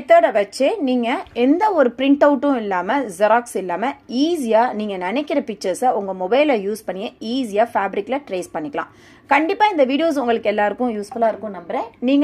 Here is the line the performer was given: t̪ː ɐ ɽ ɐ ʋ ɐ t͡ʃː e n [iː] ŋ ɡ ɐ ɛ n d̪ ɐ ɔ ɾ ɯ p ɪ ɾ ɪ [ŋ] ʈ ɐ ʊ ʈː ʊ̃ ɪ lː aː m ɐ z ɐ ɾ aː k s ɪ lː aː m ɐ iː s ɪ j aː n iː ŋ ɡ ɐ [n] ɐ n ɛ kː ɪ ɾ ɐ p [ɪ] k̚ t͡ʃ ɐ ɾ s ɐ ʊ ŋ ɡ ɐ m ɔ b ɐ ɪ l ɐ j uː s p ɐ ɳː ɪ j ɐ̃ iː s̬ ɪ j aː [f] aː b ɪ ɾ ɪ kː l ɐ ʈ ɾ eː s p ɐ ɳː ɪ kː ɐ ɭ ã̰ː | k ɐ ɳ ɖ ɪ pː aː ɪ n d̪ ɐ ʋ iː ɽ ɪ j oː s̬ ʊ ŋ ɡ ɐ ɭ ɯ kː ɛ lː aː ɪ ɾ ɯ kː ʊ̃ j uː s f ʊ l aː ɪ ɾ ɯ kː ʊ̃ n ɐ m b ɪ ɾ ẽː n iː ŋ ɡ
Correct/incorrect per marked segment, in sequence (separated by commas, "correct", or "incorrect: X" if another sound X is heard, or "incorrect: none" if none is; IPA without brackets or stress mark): correct, incorrect: ɳ, correct, correct, correct